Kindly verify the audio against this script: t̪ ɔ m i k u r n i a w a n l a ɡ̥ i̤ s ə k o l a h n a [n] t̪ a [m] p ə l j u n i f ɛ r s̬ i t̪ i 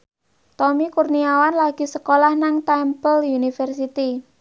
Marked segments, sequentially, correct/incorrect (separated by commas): incorrect, correct